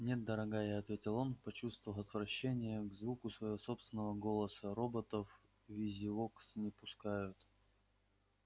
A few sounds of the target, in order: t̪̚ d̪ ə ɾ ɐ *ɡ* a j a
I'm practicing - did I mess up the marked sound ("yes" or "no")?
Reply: no